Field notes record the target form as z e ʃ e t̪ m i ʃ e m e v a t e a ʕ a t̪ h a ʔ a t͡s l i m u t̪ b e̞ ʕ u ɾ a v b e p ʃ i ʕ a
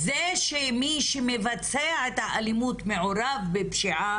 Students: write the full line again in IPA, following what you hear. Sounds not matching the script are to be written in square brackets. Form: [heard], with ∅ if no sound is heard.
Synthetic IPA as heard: z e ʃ e [∅] m i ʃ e m e v a [t͡s] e a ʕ [e] t̪ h a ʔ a [∅] l i m u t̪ [m] e̞ ʕ [o] ɾ a v b e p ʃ i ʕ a

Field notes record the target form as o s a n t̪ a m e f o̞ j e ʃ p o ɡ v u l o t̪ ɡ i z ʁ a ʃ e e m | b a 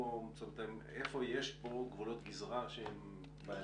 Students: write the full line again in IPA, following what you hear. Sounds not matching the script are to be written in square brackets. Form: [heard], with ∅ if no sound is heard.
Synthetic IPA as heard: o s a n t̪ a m e f o̞ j e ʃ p o ɡ v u l o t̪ ɡ i z ʁ a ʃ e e m | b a

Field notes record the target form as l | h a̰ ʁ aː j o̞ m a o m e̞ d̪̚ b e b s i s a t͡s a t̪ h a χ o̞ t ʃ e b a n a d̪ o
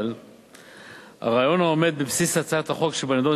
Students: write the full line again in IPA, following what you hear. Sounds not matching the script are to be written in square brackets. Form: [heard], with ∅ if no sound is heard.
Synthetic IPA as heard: l | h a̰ ʁ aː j o̞ [n] a o m e̞ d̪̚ b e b s i s a t͡s a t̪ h a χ o̞ [k] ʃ e b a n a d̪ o

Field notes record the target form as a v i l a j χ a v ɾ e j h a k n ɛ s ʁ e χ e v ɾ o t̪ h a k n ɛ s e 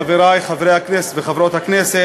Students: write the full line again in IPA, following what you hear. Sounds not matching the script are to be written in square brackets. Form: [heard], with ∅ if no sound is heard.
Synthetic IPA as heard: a v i [ɾ] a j χ a v ɾ e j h a k n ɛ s [v] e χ [a] v ɾ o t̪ h a k n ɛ s e

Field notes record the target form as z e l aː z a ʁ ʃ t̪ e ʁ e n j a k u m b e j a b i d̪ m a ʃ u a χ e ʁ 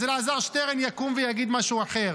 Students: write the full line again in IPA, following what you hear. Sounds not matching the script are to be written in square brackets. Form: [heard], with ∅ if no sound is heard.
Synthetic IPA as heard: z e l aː z a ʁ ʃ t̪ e ʁ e n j a k u m [v] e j a [ɡ] i d̪ m a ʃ u a χ e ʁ

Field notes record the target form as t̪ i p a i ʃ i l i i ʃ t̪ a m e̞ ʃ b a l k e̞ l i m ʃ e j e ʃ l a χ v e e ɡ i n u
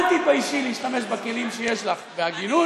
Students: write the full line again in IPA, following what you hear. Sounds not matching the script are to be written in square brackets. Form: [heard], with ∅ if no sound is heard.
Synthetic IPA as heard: t̪ i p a i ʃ i l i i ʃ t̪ a m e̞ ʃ b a [∅] k e̞ l i m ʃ e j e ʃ l a χ v e [a] ɡ i n u

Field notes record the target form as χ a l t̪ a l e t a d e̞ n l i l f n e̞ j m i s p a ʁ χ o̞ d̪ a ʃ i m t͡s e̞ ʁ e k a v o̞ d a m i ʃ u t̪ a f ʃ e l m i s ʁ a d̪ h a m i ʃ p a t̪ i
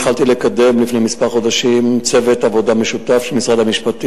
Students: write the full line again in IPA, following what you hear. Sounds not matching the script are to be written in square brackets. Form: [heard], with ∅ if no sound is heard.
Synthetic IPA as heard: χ a l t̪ [i] l e [k] a d e̞ [m] l i [∅] f n e̞ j m i s p a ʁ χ o̞ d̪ a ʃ i m t͡s e̞ [v] e [t] a v o̞ d a m [e] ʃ u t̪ a f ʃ e l m i s ʁ a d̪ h a m i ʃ p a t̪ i

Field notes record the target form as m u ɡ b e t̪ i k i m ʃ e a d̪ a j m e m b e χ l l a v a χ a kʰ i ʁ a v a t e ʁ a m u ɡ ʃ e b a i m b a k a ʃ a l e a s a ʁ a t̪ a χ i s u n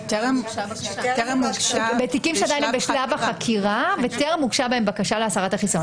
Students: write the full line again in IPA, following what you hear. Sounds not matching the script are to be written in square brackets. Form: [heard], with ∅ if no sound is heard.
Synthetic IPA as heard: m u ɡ b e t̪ i k i m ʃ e a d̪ a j [n] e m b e [ʃ] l l a v a χ a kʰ i ʁ a v [e] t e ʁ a m u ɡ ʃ [a] b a [e] m b a k a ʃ a l e a s a ʁ a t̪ a χ i s [o] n

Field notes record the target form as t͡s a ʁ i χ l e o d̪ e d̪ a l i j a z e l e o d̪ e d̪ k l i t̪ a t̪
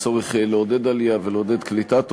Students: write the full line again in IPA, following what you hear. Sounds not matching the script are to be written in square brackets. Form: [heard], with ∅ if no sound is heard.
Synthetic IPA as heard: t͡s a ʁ i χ l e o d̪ e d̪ a l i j a [v] e l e o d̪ e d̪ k l i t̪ a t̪

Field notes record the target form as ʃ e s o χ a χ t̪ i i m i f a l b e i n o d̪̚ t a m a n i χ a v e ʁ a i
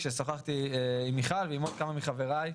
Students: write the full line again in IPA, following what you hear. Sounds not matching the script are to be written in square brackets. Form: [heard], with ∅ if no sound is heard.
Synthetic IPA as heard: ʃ e s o χ a χ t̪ i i m i [χ] a l [v] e i [m] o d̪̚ [k] a m a [m] i χ a v e ʁ a [j]

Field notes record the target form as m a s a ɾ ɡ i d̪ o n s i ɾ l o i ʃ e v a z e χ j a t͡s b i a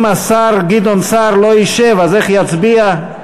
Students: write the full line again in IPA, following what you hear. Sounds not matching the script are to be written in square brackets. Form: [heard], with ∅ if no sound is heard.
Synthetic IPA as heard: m a s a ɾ ɡ i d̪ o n s [a] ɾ l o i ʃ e v a z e χ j a t͡s b i a

